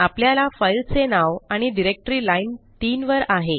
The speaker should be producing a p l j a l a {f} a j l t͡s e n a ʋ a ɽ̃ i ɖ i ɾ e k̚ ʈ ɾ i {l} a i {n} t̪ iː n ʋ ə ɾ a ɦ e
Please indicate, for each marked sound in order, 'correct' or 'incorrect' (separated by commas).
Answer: correct, correct, correct